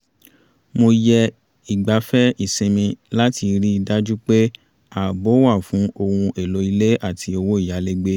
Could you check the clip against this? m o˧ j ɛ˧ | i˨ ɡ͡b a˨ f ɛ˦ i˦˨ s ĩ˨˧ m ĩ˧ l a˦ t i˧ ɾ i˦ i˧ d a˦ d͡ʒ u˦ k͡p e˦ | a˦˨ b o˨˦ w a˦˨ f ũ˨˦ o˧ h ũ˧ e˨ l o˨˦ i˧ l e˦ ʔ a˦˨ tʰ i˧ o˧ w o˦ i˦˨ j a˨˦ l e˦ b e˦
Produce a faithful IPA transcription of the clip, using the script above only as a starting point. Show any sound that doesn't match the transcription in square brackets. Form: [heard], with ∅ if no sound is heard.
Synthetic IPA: m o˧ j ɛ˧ | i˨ ɡ͡b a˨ f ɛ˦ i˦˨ s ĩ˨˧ m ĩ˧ l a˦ t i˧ ɾ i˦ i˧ d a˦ d͡ʒ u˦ k͡p e˦ | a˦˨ b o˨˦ w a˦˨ f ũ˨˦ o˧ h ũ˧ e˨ l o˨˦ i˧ l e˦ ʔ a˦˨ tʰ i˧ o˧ w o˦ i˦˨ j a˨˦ l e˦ [ɡ͡b] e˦